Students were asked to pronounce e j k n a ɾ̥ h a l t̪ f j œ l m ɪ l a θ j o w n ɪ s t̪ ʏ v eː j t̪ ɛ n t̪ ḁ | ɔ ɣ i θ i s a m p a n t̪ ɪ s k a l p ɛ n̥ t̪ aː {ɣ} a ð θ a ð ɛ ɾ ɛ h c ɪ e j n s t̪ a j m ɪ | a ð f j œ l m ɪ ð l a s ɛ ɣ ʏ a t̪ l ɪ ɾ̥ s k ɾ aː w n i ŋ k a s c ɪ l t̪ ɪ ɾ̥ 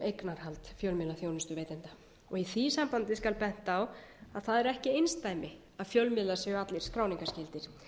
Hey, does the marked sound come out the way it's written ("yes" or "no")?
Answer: no